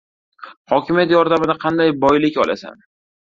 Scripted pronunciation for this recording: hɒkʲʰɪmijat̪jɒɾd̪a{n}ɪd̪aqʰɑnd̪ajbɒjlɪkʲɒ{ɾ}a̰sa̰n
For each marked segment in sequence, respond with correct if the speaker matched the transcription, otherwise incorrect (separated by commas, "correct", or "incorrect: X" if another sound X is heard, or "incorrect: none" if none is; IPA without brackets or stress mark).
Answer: incorrect: m, incorrect: l